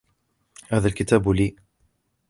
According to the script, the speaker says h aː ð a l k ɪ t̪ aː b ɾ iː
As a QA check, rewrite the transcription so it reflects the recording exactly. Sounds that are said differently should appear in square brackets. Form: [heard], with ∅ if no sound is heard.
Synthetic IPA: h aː ð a l k ɪ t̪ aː b [l] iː